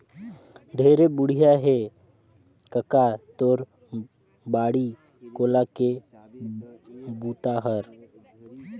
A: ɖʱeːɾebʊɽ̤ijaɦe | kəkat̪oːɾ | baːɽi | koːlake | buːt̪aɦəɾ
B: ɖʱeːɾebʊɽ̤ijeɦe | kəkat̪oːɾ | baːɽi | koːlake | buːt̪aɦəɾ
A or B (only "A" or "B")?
A